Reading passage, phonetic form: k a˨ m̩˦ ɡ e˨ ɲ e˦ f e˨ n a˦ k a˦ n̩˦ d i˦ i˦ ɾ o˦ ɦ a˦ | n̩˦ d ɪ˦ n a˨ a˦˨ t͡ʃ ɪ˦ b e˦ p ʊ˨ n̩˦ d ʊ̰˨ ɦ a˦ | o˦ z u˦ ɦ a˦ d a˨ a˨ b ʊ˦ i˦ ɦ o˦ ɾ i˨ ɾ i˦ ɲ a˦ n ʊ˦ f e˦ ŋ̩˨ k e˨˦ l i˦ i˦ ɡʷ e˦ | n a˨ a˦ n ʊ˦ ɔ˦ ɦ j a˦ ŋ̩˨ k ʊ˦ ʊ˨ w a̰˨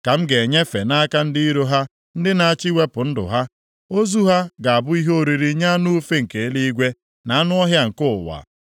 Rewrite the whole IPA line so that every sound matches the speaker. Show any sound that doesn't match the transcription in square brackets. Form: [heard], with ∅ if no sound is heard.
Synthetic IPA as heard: k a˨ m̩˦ ɡ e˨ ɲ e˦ f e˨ n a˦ k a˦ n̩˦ d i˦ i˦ ɾ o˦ ɦ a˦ | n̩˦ d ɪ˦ n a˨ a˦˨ t͡ʃ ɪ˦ [w] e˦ p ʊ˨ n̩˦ d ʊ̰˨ ɦ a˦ | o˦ z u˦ ɦ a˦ [ɡ] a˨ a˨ b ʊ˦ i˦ ɦ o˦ ɾ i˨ ɾ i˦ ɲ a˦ n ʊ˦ f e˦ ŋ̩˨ k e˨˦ l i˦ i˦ ɡʷ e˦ | n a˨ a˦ n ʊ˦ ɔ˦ ɦ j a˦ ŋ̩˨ k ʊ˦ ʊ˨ w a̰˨